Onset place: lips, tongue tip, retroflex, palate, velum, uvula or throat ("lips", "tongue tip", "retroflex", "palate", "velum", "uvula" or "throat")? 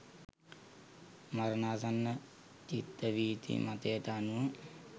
lips